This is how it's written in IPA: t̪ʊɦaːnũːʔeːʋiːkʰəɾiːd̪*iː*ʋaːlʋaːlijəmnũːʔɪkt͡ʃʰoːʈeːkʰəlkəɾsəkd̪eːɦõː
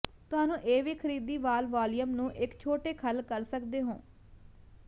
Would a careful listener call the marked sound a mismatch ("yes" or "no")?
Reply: no